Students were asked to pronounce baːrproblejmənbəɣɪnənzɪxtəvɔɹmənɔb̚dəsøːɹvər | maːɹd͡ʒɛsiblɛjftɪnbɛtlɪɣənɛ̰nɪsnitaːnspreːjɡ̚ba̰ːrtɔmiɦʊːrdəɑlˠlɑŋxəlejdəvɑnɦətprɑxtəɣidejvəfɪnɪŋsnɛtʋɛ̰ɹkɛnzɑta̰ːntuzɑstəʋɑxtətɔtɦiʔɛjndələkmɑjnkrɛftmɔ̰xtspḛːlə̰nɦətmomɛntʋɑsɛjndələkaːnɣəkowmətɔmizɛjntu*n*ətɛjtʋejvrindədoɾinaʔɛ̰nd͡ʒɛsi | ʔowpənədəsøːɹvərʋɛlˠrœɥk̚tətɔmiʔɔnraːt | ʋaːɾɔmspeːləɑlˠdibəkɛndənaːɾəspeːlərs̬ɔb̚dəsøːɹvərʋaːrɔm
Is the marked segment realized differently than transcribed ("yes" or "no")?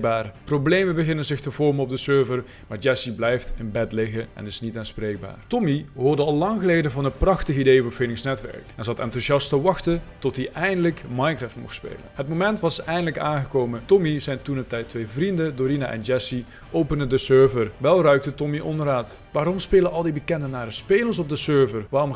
no